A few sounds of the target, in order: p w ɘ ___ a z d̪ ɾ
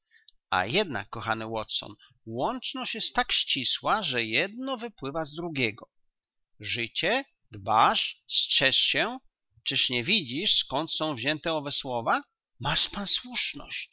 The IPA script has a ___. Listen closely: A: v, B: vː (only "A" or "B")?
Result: A